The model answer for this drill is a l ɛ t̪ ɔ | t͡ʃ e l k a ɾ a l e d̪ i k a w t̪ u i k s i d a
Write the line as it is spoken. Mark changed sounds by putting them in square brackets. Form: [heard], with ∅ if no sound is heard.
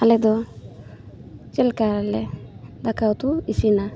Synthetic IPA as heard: a l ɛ [d̪] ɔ | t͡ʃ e l k a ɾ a l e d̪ [a] k a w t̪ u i [∅] s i [n] a